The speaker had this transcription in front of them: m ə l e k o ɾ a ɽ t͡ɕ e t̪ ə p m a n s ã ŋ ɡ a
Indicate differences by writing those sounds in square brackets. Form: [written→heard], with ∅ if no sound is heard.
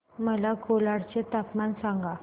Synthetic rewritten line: m ə l [e→a] k o [ɾ→l] a ɽ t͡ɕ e t̪ [ə→a] p m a n s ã ŋ ɡ a